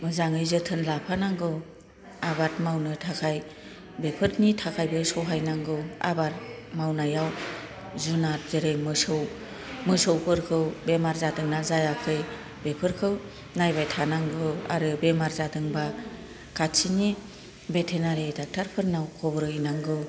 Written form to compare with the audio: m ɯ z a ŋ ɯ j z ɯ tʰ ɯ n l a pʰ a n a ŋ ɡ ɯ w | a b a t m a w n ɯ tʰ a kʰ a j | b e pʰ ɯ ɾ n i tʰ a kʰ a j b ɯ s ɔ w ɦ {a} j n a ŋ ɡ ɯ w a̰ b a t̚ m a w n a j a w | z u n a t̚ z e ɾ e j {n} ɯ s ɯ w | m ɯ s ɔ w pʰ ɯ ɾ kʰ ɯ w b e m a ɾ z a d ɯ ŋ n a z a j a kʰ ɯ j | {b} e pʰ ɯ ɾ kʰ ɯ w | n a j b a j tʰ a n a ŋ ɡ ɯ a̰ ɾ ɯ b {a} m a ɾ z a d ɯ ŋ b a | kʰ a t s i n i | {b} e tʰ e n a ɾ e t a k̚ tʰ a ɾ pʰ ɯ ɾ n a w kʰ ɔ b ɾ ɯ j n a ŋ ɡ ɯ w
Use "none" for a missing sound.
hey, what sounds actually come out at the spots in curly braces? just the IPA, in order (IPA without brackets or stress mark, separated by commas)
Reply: a, m, b, e, b